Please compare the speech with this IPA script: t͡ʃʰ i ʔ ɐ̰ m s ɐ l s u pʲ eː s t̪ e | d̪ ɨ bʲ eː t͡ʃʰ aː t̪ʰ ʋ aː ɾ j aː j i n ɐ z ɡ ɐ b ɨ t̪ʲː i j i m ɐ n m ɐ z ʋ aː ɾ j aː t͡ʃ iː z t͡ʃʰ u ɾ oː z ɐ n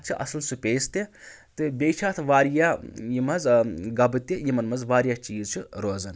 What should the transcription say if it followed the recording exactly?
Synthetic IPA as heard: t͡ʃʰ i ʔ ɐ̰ s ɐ l s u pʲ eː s t̪ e | t̪ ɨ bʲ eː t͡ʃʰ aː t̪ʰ ʋ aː ɾ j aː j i m ɐ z ɡ ɐ b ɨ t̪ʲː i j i m ɐ n m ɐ z ʋ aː ɾ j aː t͡ʃ iː z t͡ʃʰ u ɾ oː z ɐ n